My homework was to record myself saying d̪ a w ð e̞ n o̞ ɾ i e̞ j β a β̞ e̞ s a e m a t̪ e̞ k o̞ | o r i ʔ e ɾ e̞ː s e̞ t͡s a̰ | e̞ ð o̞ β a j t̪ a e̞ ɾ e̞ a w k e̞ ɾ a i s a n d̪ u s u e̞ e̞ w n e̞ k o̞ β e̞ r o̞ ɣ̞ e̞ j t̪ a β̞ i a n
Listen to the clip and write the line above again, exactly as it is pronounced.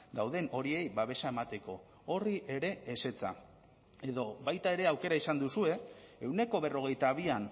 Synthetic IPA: d̪ a w ð e̞ n o̞ ɾ i e̞ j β a β̞ e̞ s a e m a t̪ e̞ k o̞ | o r i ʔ e ɾ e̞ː s e̞ t͡s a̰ | e̞ ð o̞ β a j t̪ a e̞ ɾ e̞ a w k e̞ ɾ a i s a n d̪ u s u e̞ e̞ w n e̞ k o̞ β e̞ r o̞ ɣ̞ e̞ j t̪ a β̞ i a n